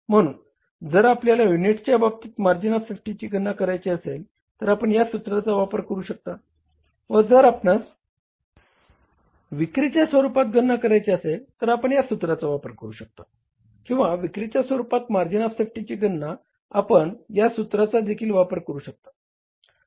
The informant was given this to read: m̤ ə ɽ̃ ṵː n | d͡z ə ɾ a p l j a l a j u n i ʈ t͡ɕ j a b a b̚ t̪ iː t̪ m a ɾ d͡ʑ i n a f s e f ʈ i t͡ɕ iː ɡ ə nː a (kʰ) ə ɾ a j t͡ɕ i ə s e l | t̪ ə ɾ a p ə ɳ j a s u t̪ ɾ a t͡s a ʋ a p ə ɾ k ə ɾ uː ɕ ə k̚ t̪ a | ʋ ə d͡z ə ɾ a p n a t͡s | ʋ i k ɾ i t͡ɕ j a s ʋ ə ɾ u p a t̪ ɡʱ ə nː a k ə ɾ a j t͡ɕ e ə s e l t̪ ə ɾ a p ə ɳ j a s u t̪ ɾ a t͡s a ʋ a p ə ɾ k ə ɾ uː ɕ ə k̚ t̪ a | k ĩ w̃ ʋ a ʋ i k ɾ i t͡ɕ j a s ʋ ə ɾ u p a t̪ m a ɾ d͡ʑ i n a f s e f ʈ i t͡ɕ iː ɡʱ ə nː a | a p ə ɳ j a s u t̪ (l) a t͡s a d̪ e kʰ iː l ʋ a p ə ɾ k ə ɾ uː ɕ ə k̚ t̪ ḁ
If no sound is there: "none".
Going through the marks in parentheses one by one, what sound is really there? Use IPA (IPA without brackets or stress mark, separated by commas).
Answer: k, ɾ